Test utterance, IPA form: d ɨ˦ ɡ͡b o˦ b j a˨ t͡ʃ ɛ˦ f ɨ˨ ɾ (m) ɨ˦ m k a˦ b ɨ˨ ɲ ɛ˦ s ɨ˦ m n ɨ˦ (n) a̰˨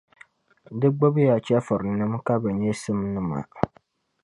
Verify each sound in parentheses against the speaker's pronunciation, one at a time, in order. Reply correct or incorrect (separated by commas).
incorrect, incorrect